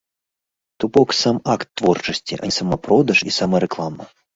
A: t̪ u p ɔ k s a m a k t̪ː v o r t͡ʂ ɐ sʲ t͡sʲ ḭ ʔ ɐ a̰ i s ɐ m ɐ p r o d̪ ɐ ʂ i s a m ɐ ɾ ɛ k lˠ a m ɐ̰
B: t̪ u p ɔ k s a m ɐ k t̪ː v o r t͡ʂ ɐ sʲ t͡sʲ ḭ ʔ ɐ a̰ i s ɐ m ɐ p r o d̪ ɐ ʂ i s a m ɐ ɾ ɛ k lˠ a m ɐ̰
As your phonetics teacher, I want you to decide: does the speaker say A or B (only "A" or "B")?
A